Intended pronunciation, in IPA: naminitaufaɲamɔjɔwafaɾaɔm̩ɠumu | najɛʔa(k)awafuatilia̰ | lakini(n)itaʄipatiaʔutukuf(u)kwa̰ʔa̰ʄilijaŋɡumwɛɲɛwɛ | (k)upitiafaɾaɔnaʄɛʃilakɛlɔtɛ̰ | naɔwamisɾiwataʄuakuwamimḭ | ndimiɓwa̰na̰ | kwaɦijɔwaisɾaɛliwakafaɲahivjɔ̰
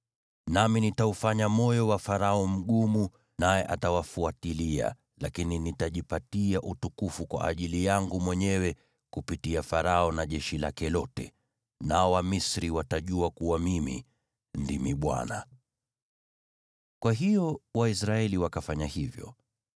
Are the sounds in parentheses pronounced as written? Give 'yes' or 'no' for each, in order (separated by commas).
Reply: no, yes, yes, yes